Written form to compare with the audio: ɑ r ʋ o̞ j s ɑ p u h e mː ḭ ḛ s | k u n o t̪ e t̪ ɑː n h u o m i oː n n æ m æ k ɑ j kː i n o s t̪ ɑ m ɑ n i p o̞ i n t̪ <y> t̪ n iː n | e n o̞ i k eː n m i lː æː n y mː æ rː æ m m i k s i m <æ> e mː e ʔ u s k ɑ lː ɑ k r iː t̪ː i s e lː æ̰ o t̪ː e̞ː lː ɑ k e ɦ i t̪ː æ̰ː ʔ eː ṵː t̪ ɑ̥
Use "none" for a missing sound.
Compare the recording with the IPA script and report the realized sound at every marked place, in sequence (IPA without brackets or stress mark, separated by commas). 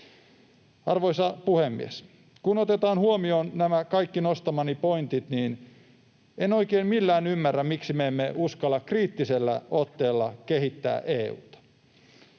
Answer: i, e